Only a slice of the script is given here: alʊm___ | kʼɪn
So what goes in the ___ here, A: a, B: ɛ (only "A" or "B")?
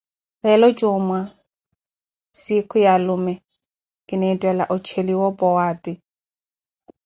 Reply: B